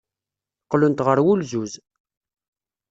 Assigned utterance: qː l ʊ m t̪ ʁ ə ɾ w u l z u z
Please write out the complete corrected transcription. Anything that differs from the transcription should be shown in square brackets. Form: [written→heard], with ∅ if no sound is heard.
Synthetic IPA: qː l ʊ [m→n] t̪ ʁ ə ɾ w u l z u z